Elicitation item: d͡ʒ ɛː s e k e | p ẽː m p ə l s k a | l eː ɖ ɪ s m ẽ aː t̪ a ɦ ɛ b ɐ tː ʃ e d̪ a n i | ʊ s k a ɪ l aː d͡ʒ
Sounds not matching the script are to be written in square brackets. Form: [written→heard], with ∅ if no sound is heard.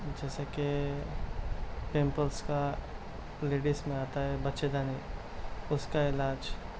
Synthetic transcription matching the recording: d͡ʒ ɛː s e k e | p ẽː m p ə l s k a | l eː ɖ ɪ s m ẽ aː t̪ a ɦ ɛ b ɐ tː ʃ e d̪ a n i | ʊ s k a ɪ l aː d͡ʒ